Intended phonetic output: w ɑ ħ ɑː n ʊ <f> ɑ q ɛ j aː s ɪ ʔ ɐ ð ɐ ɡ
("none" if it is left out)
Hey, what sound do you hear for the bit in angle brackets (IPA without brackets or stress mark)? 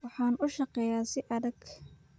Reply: ʃ